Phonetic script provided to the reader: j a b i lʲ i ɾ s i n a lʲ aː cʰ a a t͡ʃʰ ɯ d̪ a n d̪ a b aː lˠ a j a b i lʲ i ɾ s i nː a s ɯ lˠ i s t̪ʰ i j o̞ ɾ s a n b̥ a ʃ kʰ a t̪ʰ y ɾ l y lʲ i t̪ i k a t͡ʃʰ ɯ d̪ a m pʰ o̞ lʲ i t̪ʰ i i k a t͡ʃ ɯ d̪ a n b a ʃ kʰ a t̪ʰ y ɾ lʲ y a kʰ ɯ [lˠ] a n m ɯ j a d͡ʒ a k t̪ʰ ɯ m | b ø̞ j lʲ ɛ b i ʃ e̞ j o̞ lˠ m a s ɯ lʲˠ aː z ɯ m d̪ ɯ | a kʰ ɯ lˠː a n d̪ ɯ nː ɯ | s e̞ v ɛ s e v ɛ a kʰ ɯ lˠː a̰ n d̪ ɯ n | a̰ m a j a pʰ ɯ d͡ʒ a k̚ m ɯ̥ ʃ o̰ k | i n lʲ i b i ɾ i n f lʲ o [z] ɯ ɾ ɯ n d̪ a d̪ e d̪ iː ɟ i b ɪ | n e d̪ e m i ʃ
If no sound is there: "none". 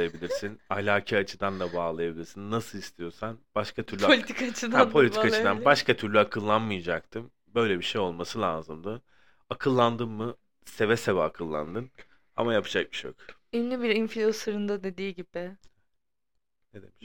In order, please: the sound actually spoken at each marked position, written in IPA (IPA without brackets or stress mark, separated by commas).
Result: lˠː, s